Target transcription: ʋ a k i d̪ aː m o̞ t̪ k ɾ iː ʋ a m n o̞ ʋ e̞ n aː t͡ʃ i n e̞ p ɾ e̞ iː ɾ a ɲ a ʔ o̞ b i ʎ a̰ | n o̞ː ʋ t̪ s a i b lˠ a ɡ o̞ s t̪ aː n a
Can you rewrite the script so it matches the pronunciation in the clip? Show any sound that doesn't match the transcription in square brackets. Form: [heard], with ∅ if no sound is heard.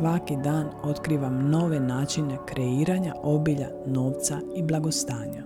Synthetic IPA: ʋ a k i d̪ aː [n] o̞ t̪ k ɾ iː ʋ a m n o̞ ʋ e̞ n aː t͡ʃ i n e̞ [k] ɾ e̞ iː ɾ a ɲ a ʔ o̞ b i ʎ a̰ | n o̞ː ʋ t̪ s a i b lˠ a ɡ o̞ s t̪ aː [ɲ] a